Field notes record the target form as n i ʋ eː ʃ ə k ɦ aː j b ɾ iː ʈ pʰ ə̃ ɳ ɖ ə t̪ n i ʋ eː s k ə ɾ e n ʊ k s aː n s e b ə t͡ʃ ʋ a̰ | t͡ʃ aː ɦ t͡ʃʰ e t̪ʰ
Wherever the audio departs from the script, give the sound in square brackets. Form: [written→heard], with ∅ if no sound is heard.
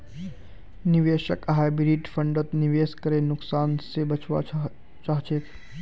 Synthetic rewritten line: n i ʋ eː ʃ ə k ɦ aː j b ɾ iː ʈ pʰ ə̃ ɳ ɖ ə t̪ n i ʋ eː s k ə ɾ e n ʊ k s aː n s e b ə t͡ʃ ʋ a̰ | t͡ʃ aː ɦ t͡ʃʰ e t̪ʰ